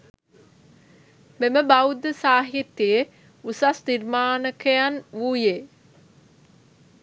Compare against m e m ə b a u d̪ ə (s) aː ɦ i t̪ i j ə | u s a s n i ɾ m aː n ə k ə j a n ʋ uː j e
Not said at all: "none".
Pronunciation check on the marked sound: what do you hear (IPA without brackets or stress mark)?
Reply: s